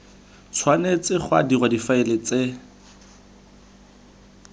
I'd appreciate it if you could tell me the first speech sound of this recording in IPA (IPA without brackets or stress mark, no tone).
t͡sʰ